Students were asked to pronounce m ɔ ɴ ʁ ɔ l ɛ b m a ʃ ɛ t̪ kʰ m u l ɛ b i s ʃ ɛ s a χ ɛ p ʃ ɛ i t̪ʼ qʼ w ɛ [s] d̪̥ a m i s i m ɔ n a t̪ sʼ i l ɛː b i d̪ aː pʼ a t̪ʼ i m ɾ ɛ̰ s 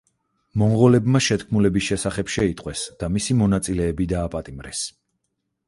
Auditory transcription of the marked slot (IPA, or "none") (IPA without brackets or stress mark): s